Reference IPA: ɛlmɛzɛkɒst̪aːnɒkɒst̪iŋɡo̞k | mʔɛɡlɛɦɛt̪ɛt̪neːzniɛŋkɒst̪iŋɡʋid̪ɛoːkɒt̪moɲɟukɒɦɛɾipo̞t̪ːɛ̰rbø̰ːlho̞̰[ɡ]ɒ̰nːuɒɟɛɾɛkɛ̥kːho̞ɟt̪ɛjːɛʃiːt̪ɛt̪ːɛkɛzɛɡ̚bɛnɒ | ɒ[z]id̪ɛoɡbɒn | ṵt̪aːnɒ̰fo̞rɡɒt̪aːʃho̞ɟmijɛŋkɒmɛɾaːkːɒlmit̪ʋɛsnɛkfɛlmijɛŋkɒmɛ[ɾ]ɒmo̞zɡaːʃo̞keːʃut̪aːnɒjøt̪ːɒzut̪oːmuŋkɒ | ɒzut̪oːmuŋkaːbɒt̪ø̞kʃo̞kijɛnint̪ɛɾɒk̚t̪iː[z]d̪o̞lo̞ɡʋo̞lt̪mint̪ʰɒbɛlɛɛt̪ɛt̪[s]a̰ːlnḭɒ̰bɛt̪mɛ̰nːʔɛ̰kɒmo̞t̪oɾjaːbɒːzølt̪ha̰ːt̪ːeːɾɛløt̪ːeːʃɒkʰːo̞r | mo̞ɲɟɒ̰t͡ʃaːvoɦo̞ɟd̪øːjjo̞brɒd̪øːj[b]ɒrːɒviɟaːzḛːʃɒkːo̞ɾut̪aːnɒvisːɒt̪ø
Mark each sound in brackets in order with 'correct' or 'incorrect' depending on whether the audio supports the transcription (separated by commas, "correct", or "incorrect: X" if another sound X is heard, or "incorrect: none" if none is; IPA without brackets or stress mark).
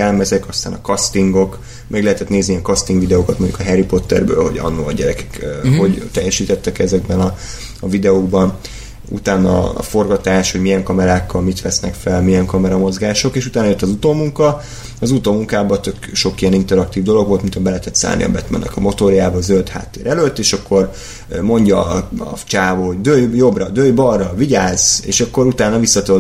incorrect: ɟ, incorrect: v, correct, incorrect: v, correct, correct